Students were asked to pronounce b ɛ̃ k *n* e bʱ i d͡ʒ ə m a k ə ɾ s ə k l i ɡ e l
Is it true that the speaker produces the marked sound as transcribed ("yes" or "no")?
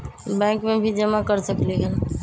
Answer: no